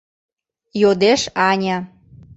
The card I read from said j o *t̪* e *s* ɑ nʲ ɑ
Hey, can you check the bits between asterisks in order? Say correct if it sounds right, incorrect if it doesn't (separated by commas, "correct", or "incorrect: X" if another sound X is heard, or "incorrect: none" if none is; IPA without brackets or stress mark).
incorrect: d̪, incorrect: ʃ